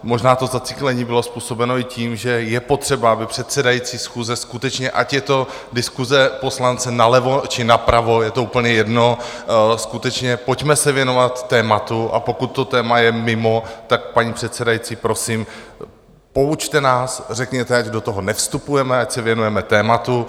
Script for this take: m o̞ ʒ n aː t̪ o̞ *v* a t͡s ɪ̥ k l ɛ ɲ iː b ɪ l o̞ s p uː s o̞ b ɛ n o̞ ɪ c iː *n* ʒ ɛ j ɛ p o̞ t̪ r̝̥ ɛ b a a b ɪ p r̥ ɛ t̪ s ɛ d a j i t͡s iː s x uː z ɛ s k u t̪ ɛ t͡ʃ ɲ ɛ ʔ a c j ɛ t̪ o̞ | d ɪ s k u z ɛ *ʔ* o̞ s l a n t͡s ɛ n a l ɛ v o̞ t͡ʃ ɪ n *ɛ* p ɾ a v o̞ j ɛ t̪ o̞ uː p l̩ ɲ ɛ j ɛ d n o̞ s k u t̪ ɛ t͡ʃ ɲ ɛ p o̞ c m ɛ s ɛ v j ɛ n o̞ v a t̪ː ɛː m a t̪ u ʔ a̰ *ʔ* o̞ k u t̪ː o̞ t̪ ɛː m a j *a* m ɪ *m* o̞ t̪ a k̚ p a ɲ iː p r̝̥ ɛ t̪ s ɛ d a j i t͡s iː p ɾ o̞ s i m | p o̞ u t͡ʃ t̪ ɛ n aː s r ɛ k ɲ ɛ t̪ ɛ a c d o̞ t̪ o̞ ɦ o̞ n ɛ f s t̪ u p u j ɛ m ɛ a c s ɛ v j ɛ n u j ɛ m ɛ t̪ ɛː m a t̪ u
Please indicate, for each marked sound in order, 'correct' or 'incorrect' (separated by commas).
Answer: incorrect, incorrect, incorrect, incorrect, incorrect, incorrect, correct